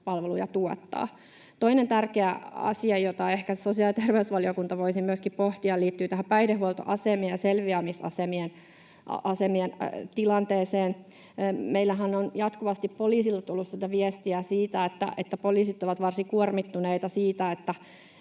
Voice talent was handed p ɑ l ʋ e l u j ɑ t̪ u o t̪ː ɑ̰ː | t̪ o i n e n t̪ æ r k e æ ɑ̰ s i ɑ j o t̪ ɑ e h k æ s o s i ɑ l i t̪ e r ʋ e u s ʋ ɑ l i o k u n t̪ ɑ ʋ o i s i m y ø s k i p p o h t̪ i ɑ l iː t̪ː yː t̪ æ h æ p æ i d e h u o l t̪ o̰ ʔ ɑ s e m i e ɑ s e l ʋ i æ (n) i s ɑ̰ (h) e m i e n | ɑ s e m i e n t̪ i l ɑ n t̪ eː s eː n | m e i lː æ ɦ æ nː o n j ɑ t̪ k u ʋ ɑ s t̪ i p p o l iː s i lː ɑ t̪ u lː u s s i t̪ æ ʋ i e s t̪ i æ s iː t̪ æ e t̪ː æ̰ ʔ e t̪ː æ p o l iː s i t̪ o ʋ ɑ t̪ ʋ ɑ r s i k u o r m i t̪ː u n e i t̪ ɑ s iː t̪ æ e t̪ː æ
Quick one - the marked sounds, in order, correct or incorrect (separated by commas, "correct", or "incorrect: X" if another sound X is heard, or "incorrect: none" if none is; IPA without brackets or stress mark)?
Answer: incorrect: m, incorrect: s